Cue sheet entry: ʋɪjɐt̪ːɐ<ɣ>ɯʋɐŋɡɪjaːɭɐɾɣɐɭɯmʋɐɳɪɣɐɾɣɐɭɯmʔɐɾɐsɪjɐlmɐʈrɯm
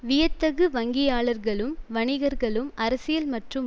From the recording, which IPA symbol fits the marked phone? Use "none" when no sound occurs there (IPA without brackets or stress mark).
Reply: ɣ